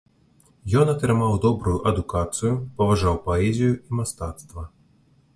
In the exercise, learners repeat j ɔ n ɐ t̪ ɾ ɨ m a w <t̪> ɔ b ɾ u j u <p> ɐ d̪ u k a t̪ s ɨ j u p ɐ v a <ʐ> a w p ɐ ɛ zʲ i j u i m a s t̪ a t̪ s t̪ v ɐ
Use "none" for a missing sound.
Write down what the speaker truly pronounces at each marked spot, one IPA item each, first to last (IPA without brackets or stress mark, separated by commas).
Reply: d̪, ʔ, ʐ